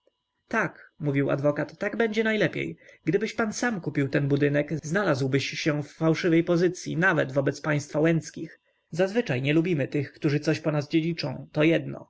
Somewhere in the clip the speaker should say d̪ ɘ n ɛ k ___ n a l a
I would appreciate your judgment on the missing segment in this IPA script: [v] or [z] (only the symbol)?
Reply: z